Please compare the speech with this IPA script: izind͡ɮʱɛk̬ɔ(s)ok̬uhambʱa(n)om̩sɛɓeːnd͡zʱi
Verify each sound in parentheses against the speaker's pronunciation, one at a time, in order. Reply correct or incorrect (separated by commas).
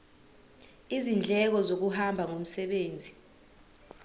incorrect, incorrect